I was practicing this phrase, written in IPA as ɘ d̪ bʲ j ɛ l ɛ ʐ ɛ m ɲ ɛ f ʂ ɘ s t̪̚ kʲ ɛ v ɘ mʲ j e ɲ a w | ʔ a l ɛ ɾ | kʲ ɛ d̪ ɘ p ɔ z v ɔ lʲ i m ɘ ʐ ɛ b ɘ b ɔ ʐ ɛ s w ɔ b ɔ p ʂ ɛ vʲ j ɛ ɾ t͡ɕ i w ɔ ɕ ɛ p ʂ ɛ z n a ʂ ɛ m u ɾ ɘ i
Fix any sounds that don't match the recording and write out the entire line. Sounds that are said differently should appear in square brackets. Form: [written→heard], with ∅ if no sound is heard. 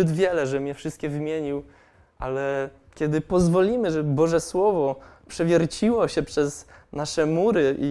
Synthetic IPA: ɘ d̪ [bʲ→vʲ] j ɛ l ɛ ʐ ɛ m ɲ ɛ f ʂ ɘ s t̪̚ kʲ ɛ v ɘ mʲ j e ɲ [a→i] w | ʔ a l ɛ [ɾ→∅] | kʲ ɛ d̪ ɘ p ɔ z v ɔ lʲ i m ɘ ʐ ɛ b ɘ b ɔ ʐ ɛ s w ɔ [b→v] ɔ p ʂ ɛ vʲ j ɛ ɾ t͡ɕ i w ɔ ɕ ɛ p ʂ ɛ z n a ʂ ɛ m u ɾ ɘ i